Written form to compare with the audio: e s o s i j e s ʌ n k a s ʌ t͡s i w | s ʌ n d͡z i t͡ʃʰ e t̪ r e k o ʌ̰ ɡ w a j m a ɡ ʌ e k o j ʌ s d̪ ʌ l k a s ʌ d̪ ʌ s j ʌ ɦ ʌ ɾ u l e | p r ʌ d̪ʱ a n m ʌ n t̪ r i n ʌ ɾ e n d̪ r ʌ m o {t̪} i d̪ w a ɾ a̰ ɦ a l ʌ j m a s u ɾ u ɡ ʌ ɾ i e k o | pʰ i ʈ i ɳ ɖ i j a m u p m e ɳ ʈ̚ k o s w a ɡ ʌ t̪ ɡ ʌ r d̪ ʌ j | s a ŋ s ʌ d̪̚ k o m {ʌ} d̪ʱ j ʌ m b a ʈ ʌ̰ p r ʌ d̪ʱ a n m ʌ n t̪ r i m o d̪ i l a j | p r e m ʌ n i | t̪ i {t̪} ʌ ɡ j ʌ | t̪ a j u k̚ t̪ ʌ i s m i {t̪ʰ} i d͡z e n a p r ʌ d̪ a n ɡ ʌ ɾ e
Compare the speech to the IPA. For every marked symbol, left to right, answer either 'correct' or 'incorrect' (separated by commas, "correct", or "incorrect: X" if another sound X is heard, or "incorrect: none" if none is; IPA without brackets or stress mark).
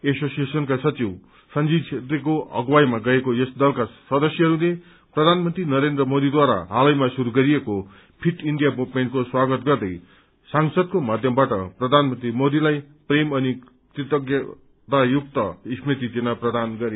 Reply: incorrect: d̪, incorrect: a, correct, incorrect: t̪